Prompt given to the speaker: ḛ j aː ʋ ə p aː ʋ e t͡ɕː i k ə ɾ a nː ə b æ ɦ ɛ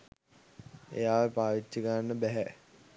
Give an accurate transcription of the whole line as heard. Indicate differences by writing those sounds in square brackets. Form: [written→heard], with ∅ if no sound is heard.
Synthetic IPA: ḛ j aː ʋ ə p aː ʋ [e→i] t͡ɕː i k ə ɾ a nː ə b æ ɦ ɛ